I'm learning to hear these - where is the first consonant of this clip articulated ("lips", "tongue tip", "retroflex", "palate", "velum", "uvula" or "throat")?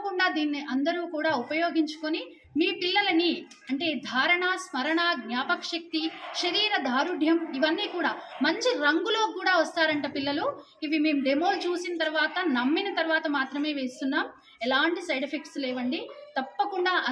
velum